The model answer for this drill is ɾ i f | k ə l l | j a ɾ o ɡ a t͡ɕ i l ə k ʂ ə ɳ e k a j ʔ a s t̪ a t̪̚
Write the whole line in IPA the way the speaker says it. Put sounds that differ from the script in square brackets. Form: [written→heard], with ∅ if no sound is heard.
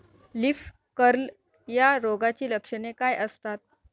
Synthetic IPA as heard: [ɾ→l] i f | k ə [l→ɾ] l | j a ɾ o ɡ a t͡ɕ [i→iː] l ə k ʂ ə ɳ e k a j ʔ [a→ə] s t̪ a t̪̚